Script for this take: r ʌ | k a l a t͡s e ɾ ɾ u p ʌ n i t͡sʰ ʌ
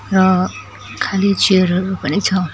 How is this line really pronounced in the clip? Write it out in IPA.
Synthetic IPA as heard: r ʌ | kʰ a l i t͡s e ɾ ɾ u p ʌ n i t͡sʰ ʌ